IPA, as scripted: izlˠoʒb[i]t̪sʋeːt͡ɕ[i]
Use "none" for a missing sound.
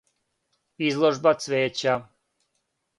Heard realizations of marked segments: a, a

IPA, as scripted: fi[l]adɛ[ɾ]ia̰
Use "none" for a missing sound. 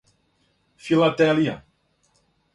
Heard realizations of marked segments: l, l

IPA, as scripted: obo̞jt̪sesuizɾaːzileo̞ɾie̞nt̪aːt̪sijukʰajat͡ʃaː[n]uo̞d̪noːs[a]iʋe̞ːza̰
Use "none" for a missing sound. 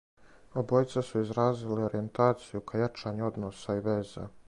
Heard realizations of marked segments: ɲ, a

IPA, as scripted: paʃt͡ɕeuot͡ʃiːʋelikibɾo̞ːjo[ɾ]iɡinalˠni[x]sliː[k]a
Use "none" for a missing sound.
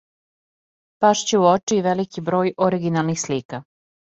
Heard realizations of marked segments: ɾ, x, k

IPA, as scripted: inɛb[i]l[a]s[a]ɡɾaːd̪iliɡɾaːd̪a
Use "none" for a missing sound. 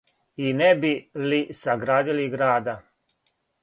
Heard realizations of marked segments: i, i, a

